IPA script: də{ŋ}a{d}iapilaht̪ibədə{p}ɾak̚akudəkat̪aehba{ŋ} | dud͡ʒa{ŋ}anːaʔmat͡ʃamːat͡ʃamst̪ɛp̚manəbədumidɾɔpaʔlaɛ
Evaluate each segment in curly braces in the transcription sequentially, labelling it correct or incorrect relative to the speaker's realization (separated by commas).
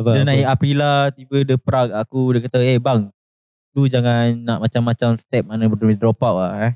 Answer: incorrect, incorrect, correct, correct, correct